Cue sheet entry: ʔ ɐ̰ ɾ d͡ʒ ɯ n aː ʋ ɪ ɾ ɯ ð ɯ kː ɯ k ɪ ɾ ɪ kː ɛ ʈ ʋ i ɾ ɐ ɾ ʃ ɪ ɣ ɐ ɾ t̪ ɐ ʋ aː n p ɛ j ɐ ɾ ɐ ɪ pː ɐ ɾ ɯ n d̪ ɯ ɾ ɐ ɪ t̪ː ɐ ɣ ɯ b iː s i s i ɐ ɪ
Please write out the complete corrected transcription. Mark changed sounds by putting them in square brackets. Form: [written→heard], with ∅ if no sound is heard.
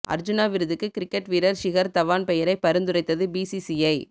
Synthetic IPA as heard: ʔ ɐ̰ ɾ d͡ʒ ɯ n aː ʋ ɪ ɾ ɯ ð ɯ kː ɯ k ɪ ɾ ɪ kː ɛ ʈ ʋ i ɾ ɐ ɾ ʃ ɪ ɣ ɐ ɾ t̪ ɐ ʋ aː n p ɛ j ɐ ɾ ɐ ɪ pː ɐ ɾ ɯ n d̪ ɯ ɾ ɐ ɪ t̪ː ɐ [ɣ→ð] ɯ b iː s i s i ɐ ɪ